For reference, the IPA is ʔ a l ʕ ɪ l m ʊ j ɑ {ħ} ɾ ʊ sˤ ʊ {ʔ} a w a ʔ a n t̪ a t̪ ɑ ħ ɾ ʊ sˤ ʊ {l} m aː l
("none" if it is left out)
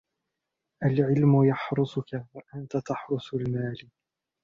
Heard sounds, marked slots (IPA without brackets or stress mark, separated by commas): ħ, k, l